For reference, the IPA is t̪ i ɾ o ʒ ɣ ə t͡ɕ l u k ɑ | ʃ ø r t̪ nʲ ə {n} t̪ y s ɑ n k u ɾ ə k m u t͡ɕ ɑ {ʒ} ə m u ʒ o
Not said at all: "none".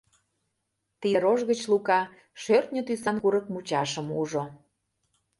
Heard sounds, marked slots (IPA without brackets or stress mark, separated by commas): none, ʃ